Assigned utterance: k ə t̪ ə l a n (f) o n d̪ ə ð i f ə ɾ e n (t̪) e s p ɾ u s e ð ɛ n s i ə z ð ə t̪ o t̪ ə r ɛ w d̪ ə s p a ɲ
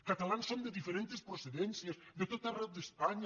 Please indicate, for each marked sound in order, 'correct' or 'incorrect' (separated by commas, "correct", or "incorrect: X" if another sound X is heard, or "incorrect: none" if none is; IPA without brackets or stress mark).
incorrect: s, correct